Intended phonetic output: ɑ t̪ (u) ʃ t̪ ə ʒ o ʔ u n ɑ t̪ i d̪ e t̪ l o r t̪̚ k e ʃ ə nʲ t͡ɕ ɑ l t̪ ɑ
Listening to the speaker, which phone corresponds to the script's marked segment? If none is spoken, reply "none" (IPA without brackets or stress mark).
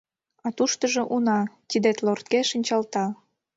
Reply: u